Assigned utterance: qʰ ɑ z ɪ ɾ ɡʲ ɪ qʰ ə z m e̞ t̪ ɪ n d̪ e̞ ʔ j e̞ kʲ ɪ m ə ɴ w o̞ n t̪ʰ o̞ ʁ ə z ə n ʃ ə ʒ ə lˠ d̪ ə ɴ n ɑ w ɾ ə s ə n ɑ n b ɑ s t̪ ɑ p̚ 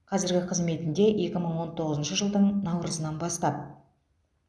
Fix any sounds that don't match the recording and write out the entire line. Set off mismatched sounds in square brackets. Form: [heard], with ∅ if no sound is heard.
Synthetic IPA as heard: qʰ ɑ z ɪ ɾ ɡʲ ɪ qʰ ə z m e̞ t̪ ɪ n d̪ e̞ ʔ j e̞ kʲ ɪ m ə ɴ w o̞ n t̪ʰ o̞ ʁ ə z ə n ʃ ə ʒ ə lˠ d̪ ə ɴ n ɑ w ɾ ə [z] ə n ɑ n b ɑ s t̪ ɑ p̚